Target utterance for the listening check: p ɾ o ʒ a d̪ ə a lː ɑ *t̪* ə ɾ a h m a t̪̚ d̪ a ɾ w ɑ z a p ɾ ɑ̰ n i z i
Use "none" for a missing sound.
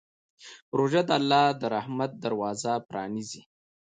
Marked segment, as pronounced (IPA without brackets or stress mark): d̪